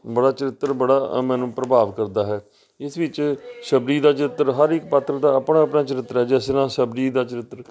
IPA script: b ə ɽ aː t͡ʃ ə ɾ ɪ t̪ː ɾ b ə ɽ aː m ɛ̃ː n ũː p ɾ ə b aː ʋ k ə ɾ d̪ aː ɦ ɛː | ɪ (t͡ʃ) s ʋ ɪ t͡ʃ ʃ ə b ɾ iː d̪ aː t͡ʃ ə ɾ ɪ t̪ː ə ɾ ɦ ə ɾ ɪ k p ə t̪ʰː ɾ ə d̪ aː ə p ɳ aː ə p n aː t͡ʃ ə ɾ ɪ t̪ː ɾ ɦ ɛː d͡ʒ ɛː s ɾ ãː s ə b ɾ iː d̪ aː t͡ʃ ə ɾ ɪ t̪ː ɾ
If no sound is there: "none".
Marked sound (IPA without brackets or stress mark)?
none